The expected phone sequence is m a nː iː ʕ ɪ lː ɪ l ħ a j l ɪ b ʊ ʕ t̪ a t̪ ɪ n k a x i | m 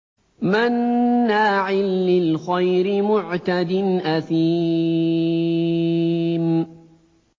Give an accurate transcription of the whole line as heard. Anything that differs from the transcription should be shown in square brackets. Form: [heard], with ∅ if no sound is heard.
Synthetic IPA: m a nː [aː] ʕ ɪ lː ɪ l [x] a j [ɾ] ɪ [m] ʊ ʕ t̪ a [d̪] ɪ n [ʔ] a [θ] i | m